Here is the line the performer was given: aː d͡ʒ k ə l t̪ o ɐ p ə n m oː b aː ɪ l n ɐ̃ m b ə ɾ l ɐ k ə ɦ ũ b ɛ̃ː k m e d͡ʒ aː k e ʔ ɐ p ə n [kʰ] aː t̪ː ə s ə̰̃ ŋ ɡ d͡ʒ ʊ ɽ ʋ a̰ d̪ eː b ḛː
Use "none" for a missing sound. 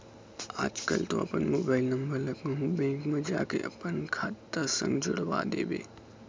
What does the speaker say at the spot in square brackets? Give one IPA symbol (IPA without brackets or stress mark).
kʰ